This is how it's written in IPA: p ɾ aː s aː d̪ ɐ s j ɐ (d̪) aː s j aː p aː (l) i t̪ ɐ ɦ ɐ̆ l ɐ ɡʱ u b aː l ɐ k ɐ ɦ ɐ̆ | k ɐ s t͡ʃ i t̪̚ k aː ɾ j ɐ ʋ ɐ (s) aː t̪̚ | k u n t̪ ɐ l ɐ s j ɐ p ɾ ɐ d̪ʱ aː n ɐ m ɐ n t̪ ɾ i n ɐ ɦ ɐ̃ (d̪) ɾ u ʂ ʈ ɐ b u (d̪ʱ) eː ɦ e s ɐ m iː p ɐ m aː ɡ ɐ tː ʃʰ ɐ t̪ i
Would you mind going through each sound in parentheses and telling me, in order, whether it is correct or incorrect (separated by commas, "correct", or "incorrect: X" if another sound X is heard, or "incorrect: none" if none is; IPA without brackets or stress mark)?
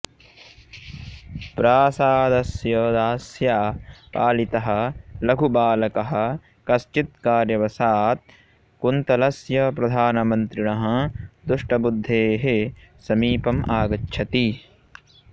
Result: correct, correct, correct, correct, incorrect: d̪ʱː